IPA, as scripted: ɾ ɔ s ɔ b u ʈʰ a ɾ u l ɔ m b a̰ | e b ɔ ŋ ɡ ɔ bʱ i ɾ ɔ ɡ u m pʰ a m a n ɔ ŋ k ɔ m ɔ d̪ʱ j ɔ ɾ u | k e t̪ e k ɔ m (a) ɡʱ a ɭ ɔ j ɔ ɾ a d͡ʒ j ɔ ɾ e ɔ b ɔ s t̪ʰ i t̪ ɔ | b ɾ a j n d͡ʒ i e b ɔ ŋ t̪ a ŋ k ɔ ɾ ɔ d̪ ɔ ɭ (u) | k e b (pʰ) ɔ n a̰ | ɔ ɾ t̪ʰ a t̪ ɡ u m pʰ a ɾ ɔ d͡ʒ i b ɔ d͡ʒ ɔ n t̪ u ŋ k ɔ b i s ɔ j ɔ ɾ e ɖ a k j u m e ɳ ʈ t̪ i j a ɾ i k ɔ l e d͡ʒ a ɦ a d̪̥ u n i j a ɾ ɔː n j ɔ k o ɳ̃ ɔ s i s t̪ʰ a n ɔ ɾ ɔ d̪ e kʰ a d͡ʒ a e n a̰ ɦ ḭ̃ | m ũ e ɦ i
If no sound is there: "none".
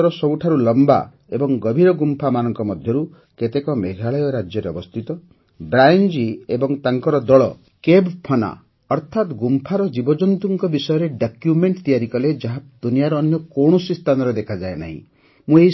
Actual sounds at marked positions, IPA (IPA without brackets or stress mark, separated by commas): e, ɔ, pʰ